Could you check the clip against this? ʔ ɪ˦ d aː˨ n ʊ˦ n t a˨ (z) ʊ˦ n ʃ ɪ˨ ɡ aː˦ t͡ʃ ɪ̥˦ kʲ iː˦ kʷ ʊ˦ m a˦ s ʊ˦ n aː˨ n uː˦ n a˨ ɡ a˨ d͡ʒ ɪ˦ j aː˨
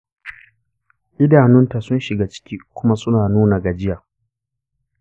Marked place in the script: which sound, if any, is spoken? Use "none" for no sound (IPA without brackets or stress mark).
s